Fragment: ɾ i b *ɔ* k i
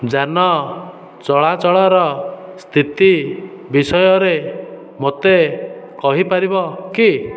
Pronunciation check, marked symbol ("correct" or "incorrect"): correct